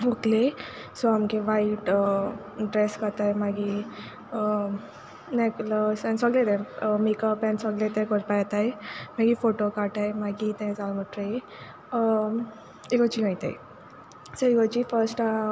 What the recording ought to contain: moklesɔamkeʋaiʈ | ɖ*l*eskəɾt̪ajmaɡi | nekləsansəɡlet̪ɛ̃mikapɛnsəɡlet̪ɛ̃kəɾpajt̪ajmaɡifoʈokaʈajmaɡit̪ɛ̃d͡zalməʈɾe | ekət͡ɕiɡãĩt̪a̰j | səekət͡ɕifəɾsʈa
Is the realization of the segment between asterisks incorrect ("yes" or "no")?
yes